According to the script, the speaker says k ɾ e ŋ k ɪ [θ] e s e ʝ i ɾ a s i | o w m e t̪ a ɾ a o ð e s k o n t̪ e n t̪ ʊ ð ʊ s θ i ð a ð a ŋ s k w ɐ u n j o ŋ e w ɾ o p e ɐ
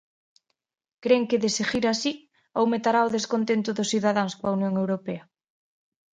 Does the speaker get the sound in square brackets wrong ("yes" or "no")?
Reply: yes